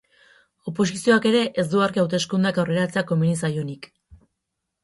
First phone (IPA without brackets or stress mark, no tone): o̞